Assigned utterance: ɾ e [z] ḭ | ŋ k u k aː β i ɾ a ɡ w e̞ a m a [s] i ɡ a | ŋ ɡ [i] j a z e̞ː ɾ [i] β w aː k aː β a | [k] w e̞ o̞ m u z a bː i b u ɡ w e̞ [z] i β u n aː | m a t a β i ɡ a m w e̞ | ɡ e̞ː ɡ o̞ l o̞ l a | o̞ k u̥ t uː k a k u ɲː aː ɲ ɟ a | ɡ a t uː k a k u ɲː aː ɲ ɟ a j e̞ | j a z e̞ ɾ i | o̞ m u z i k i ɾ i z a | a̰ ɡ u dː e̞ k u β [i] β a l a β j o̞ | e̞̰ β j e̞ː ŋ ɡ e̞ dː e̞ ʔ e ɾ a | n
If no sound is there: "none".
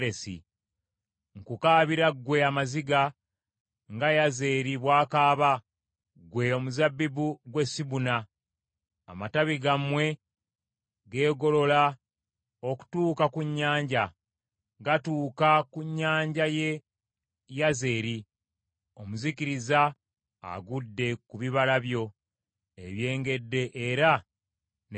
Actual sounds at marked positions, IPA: s, z, a, i, ɡ, s, i

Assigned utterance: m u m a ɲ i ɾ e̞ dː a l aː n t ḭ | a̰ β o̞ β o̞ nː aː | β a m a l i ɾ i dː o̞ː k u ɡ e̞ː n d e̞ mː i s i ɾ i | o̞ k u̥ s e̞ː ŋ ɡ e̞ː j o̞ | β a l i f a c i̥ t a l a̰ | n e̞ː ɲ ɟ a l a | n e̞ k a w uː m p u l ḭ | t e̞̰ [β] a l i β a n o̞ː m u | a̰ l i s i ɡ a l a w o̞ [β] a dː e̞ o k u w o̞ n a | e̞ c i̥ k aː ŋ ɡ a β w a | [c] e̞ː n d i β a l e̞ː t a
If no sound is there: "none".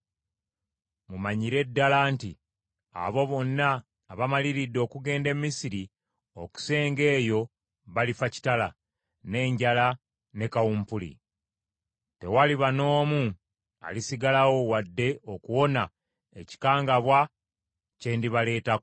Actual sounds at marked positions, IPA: w, w, c

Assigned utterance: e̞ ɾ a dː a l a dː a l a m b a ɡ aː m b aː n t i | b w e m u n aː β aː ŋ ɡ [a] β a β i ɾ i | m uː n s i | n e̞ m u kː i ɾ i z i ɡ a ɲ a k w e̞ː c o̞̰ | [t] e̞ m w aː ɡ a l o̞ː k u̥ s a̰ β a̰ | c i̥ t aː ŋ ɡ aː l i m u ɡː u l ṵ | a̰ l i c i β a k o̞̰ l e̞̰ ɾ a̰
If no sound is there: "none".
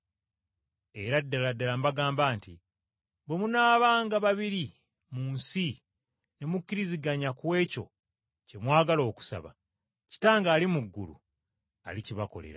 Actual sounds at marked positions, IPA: a, c

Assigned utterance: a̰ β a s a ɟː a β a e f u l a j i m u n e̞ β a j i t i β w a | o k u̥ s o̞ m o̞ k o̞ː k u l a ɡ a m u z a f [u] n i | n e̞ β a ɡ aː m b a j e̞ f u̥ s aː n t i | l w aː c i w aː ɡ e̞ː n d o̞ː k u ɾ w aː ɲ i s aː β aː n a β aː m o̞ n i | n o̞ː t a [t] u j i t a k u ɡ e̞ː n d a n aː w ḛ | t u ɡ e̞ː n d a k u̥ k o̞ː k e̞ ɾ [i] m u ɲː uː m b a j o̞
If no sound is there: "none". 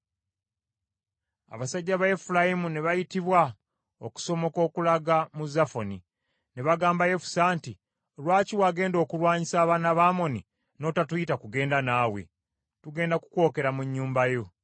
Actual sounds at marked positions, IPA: o, t, a

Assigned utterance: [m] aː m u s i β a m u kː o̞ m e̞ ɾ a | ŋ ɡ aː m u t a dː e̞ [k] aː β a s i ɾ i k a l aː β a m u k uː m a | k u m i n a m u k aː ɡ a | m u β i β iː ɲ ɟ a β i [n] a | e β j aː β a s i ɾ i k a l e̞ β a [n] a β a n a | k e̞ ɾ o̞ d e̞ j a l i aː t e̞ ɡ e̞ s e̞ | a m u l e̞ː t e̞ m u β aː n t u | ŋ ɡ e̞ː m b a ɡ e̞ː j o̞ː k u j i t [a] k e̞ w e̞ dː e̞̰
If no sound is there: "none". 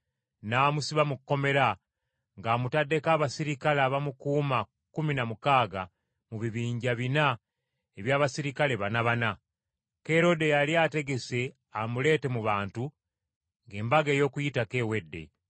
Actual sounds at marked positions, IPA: n, k, n, n, a

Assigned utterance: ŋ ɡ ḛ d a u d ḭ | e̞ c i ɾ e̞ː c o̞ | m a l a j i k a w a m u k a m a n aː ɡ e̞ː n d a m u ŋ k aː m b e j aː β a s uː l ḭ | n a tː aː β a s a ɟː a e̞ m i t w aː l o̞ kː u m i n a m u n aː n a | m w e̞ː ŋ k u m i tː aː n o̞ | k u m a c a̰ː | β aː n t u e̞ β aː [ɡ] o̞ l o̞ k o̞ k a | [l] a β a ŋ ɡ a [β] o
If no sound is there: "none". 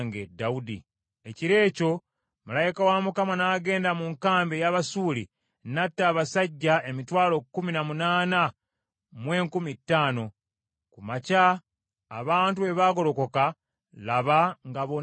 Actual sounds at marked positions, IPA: ɡ, l, β

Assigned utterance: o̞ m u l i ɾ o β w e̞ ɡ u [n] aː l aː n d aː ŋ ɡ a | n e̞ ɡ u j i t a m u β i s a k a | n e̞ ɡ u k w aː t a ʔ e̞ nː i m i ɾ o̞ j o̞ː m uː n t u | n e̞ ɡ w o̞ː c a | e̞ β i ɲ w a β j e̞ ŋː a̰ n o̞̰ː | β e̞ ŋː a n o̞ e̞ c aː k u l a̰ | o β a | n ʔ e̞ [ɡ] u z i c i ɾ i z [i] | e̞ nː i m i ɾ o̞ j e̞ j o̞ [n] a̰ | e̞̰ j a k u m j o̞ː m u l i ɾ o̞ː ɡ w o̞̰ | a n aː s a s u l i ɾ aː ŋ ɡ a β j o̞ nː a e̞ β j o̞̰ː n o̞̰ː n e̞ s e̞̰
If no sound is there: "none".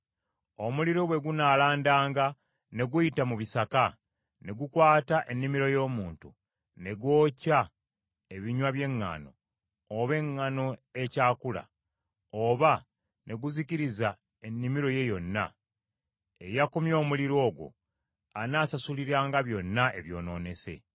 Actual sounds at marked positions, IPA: n, ɡ, a, nː

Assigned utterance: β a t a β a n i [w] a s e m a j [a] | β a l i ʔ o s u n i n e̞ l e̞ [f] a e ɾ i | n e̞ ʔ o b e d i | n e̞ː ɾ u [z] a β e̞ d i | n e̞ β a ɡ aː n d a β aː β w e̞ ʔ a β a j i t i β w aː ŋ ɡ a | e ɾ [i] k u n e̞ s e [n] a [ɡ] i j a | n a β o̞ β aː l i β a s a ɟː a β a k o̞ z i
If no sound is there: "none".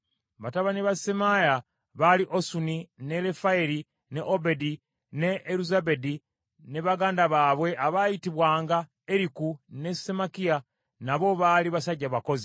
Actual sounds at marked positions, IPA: β, a, f, z, i, m, k

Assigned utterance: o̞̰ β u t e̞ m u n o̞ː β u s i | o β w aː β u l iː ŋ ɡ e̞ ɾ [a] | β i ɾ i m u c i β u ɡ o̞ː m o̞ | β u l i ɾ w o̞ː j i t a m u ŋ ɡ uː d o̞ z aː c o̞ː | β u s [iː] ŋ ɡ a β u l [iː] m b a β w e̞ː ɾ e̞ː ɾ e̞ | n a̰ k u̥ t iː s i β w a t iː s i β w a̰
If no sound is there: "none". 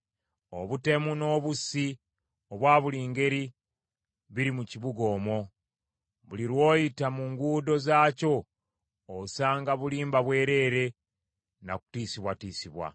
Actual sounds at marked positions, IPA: i, aː, iː

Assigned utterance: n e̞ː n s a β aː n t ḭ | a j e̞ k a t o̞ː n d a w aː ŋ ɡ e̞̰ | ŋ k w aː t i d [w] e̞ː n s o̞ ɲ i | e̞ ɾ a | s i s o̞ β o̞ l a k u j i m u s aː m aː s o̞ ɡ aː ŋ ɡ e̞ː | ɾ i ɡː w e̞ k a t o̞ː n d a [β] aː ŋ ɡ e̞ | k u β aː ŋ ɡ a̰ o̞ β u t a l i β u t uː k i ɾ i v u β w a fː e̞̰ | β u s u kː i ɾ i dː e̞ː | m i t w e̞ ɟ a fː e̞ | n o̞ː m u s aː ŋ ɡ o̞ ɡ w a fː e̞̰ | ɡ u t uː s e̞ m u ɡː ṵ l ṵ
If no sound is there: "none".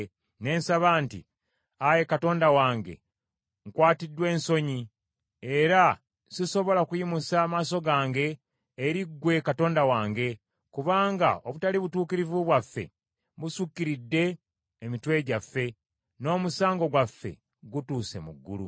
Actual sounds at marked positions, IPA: w, w

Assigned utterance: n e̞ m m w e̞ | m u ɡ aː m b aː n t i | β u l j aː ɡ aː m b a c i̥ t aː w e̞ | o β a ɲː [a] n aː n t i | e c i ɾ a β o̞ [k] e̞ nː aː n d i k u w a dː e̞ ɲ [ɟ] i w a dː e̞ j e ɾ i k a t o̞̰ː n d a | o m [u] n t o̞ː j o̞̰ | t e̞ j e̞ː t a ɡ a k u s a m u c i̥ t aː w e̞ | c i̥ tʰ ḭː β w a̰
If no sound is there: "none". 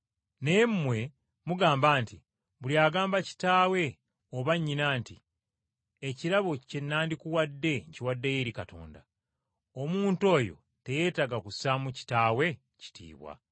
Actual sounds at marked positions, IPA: i, c, c, uː

